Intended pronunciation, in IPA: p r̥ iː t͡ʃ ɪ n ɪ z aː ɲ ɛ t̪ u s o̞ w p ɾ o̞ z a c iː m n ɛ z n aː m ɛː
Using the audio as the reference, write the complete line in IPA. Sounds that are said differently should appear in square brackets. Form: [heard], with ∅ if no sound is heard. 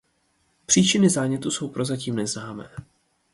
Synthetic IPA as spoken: p r̥ iː t͡ʃ ɪ n ɪ z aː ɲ ɛ t̪ u s o̞ w p ɾ o̞ z a c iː m n ɛ z n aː m ɛː